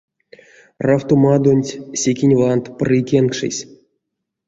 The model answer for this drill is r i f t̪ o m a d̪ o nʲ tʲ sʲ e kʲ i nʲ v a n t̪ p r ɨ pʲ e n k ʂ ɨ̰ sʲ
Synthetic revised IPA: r a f t̪ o m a d̪ o nʲ tʲ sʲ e kʲ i nʲ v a n t̪ p r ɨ kʲ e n k ʂ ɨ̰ sʲ